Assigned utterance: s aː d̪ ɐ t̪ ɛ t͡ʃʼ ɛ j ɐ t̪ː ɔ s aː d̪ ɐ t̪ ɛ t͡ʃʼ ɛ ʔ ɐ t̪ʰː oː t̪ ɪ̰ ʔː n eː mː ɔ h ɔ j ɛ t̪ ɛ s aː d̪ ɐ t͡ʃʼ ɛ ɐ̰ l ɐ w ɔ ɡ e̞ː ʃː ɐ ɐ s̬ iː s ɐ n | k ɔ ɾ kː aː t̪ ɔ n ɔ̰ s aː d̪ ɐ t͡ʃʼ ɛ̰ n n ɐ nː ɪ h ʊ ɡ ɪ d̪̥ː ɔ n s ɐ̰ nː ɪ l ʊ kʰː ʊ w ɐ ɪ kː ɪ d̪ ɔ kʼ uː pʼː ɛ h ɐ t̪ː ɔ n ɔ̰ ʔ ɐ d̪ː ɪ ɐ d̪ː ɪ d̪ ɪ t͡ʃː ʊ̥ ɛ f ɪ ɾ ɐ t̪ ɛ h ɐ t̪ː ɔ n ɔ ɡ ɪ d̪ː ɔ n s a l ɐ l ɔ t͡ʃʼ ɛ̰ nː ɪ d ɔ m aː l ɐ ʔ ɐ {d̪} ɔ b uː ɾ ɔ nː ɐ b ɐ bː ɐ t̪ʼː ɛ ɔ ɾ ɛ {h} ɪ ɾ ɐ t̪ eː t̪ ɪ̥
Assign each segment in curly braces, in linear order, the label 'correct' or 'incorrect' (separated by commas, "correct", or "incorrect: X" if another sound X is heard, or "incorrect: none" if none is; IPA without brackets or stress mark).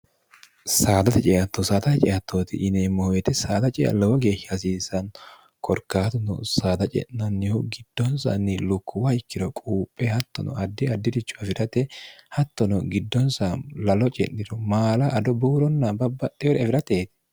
correct, incorrect: f